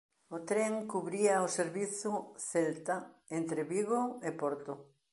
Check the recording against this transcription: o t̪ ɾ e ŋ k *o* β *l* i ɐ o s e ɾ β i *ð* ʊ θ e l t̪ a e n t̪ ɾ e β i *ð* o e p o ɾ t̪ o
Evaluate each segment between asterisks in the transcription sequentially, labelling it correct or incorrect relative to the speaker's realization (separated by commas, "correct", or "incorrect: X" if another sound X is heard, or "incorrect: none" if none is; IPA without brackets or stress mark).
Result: incorrect: u, incorrect: ɾ, incorrect: θ, incorrect: ɣ